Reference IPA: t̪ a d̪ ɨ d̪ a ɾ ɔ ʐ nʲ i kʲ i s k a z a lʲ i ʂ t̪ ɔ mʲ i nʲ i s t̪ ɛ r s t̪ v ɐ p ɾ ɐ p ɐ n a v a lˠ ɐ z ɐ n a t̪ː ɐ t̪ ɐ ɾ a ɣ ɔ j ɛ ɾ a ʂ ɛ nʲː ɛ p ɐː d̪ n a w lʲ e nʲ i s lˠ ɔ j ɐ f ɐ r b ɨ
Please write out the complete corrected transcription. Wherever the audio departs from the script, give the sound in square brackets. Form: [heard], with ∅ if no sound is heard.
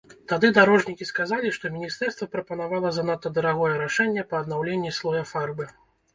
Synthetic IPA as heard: t̪ a d̪ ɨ d̪ a ɾ ɔ ʐ nʲ i kʲ i s k a z a lʲ i ʂ t̪ ɔ mʲ i nʲ i s t̪ ɛ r s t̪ v ɐ p ɾ ɐ p ɐ n a v a lˠ ɐ z ɐ n a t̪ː ɐ [d̪] ɐ ɾ a ɣ ɔ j ɛ ɾ a ʂ ɛ nʲː ɛ p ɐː d̪ n a w lʲ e [nʲː] i s lˠ ɔ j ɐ f [a] r b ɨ